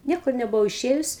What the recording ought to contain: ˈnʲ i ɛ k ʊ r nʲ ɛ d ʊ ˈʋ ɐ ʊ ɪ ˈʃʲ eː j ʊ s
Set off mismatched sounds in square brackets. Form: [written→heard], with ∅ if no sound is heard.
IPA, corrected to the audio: ˈnʲ i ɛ k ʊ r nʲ ɛ [d→b] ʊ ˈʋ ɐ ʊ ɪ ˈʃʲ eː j ʊ s